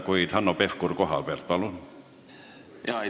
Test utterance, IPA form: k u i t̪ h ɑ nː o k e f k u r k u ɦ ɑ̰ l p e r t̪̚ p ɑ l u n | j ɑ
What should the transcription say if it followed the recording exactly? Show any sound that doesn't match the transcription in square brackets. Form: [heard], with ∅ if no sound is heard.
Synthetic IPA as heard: k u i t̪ h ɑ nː o [p] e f k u r k [o] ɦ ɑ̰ l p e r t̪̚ p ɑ l u n | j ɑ